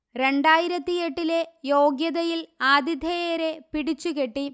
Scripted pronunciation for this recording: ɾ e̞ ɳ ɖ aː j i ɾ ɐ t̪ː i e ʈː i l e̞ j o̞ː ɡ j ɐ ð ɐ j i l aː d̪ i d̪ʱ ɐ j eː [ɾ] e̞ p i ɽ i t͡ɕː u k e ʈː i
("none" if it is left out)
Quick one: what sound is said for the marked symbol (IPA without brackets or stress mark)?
ɾ